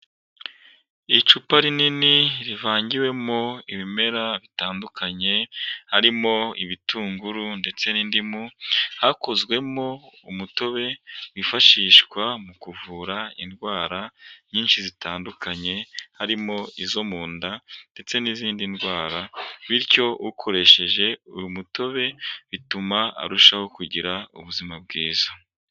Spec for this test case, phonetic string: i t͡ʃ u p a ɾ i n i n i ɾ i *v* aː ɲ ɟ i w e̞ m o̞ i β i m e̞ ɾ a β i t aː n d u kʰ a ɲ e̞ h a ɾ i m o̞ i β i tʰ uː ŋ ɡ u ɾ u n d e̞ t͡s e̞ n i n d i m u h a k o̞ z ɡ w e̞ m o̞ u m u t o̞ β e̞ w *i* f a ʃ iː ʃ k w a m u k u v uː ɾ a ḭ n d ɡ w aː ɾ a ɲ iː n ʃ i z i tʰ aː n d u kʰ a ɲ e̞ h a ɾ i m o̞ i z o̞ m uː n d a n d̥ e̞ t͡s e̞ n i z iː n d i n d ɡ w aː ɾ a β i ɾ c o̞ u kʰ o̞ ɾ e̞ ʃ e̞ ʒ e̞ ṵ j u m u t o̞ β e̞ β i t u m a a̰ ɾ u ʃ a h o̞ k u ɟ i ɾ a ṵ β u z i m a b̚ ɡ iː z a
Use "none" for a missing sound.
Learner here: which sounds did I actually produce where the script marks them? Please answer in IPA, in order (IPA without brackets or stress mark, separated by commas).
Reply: v, i